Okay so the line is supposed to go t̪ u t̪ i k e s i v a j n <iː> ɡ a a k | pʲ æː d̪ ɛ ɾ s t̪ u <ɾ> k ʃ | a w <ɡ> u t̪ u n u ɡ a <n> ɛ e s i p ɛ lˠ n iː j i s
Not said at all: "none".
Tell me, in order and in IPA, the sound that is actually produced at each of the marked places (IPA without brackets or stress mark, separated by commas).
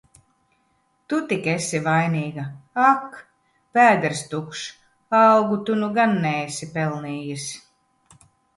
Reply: iː, none, ɡ, nː